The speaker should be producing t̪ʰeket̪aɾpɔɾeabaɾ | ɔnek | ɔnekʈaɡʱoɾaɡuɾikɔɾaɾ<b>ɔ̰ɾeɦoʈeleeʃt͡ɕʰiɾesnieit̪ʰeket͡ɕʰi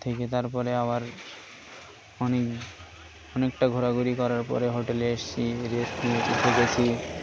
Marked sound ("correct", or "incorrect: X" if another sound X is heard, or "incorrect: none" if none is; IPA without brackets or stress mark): incorrect: p